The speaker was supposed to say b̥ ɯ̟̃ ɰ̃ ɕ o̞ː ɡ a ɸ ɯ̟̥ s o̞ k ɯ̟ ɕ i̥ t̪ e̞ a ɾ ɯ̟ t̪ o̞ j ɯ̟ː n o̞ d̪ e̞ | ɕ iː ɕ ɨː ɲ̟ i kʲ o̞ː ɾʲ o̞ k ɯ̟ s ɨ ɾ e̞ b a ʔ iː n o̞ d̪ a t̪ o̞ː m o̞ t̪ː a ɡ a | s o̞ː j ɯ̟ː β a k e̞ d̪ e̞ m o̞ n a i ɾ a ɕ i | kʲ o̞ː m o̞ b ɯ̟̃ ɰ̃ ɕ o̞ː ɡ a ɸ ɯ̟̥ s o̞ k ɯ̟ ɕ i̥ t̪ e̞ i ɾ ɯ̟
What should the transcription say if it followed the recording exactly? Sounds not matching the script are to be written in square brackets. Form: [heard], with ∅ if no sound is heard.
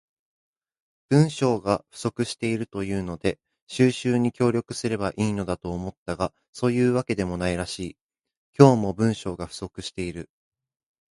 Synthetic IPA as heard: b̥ ɯ̟̃ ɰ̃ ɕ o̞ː ɡ a ɸ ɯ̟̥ s o̞ k ɯ̟ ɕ i̥ t̪ e̞ [i] ɾ ɯ̟ t̪ o̞ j ɯ̟ː n o̞ d̪ e̞ | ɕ [ɨː] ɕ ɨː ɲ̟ i kʲ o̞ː ɾʲ o̞ k ɯ̟ s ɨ ɾ e̞ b a ʔ iː n o̞ d̪ a t̪ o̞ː m o̞ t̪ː a ɡ a | s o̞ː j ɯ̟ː β a k e̞ d̪ e̞ m o̞ n a i ɾ a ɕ [iː] | kʲ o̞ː m o̞ b ɯ̟̃ ɰ̃ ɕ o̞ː ɡ a ɸ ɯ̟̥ s o̞ k ɯ̟ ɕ i̥ t̪ e̞ i ɾ ɯ̟